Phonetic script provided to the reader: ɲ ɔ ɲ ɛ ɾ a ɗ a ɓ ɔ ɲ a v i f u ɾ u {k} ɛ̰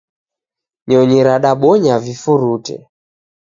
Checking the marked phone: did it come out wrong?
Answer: yes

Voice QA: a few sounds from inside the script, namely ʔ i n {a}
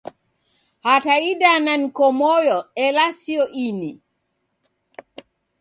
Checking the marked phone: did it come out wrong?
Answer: yes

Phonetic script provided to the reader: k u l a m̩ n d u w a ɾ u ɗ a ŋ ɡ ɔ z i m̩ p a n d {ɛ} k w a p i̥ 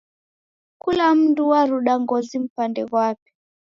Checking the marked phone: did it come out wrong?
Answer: no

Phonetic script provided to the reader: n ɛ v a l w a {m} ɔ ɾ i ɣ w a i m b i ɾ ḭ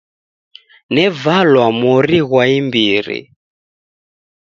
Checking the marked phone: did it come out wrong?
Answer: no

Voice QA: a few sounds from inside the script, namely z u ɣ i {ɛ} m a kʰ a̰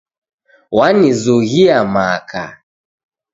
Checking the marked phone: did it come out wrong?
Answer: yes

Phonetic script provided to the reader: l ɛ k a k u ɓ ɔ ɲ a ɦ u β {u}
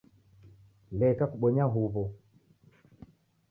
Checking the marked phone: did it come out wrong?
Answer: yes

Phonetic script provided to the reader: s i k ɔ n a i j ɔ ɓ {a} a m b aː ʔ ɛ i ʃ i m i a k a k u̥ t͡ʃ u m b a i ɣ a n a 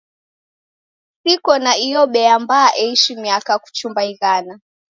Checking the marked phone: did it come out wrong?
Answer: yes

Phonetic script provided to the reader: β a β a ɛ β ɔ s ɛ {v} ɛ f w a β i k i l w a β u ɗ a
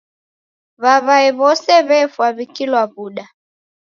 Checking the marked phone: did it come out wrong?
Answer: yes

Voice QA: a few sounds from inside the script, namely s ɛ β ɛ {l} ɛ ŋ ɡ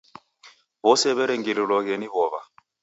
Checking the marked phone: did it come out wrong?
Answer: yes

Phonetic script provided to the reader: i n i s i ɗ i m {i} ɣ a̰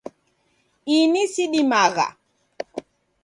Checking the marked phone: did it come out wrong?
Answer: yes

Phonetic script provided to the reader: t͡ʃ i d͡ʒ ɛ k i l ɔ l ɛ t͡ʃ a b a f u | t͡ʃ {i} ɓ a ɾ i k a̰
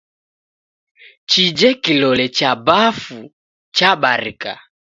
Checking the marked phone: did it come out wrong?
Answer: yes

